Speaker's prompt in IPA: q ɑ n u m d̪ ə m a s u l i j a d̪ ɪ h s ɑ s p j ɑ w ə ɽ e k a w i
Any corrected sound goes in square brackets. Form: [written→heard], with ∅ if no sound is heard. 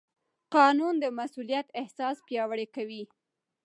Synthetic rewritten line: q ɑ n u [m→n] d̪ ə m a s u l i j a [d̪→t̪] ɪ h s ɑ s p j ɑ w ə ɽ e k a w i